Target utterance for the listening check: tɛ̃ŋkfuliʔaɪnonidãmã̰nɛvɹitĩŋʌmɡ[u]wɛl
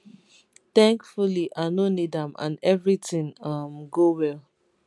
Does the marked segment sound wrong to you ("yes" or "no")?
yes